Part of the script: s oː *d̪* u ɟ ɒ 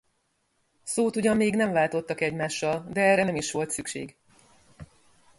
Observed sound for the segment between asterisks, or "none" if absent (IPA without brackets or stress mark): t̪